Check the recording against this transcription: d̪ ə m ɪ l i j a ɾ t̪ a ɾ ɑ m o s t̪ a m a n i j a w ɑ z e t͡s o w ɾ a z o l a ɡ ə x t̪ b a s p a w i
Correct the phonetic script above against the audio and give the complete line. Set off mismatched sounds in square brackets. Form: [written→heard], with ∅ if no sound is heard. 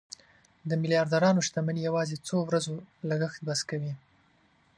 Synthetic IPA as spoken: d̪ ə m ɪ l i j [a→ɑ] ɾ [t̪→d̪] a ɾ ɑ [m→n] o [s→ʃ] t̪ a m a n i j a w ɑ z e t͡s o w ɾ a z o l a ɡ ə x t̪ b a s [p→k] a w i